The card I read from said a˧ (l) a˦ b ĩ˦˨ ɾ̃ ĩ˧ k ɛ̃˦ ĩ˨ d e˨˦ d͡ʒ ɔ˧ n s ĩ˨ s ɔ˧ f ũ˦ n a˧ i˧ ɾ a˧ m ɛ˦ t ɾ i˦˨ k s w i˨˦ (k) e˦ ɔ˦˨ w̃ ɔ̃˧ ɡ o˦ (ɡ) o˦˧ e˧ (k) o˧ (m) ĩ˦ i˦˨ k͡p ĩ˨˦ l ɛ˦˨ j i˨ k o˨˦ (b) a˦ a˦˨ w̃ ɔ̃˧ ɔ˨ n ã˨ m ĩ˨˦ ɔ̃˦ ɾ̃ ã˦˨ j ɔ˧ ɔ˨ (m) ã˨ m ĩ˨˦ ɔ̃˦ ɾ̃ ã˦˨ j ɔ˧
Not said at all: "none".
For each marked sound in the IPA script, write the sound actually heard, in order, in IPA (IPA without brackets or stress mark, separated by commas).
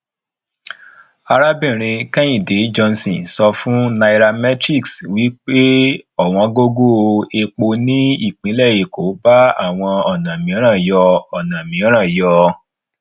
ɾ, k͡p, ɡ, k͡p, n, b, n